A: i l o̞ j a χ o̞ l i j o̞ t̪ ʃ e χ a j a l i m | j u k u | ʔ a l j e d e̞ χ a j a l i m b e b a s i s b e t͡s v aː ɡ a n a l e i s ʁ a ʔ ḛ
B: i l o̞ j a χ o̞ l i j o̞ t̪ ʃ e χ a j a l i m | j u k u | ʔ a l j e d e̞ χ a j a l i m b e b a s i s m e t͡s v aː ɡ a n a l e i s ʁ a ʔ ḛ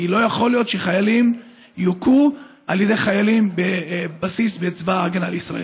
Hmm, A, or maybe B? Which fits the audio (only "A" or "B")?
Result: A